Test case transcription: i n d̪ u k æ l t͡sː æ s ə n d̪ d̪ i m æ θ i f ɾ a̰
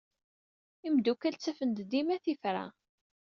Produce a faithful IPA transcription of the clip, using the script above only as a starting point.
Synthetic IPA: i m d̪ u k æ l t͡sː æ f ə n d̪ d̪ i m æ θ i f ɾ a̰